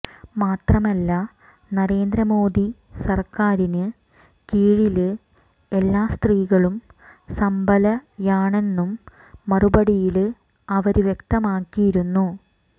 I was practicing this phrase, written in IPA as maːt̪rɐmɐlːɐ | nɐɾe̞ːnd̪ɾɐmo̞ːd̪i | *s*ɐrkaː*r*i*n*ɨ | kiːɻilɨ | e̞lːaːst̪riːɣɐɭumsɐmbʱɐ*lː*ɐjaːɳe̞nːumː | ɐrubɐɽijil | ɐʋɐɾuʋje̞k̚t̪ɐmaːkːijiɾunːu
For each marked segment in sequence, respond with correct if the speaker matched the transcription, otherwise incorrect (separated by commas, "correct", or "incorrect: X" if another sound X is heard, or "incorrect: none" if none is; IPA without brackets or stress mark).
correct, incorrect: ɾ, correct, incorrect: l